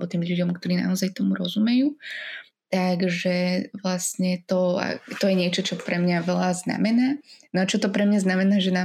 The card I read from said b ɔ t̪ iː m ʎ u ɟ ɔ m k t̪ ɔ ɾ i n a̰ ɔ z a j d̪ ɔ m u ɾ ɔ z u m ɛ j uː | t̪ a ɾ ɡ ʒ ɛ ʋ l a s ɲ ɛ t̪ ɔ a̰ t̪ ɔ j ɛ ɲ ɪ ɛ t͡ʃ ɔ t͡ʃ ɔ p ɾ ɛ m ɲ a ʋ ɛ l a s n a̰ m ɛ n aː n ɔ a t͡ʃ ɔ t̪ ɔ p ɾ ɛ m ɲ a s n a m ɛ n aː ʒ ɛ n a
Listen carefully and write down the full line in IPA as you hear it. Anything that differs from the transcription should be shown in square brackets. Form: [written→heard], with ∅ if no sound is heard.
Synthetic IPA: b ɔ t̪ iː m ʎ u ɟ ɔ m k t̪ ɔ ɾ [i→iː] n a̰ ɔ z a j [d̪→t̪] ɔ m u ɾ ɔ z u m ɛ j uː | t̪ a [ɾ→∅] ɡ ʒ ɛ ʋ l a s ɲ ɛ t̪ ɔ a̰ t̪ ɔ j ɛ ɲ ɪ ɛ t͡ʃ ɔ t͡ʃ ɔ p ɾ ɛ m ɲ a ʋ ɛ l a [s→z] n a̰ m ɛ n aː n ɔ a t͡ʃ ɔ t̪ ɔ p ɾ ɛ m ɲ a [s→z] n a m ɛ n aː ʒ ɛ n a